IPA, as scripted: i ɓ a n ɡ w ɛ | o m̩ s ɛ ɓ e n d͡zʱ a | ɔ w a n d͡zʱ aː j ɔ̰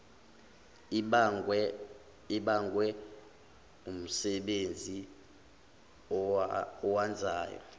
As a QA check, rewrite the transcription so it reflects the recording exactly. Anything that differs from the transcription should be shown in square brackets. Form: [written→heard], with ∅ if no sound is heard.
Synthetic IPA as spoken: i ɓ a [n→ŋ] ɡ w ɛ | [o→u] m̩ s ɛ ɓ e n d͡zʱ [a→i] | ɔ w a n d͡zʱ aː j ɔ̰